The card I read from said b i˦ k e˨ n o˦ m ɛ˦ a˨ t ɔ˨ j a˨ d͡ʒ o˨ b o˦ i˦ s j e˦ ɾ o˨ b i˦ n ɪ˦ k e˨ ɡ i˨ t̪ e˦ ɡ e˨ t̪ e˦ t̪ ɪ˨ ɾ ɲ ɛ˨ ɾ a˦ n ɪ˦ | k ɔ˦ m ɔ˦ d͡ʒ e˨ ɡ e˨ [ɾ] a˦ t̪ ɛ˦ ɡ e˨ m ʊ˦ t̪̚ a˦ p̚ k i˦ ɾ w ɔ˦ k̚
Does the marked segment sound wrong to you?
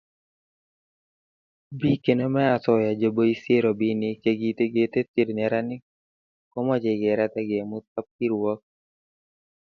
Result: no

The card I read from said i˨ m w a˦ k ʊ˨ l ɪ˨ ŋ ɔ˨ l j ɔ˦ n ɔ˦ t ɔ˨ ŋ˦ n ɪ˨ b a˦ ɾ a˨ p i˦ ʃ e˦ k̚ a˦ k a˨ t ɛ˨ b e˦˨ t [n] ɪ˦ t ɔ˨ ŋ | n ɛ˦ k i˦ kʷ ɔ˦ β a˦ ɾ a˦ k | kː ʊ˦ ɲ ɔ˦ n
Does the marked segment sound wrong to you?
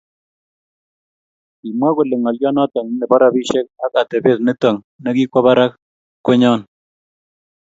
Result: no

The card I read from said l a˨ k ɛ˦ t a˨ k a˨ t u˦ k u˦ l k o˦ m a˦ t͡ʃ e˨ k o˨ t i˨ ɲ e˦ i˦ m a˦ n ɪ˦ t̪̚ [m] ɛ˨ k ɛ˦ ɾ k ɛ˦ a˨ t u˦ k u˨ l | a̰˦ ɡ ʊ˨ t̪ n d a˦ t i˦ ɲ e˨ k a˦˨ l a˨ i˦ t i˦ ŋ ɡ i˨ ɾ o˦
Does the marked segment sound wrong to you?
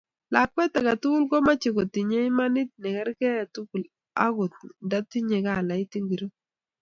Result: yes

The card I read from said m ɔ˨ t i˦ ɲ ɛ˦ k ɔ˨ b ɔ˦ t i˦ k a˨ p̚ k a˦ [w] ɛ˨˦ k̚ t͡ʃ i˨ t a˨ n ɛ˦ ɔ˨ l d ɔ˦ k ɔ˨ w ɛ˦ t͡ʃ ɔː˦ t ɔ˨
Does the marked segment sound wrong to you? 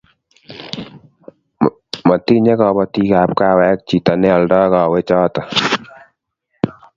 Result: no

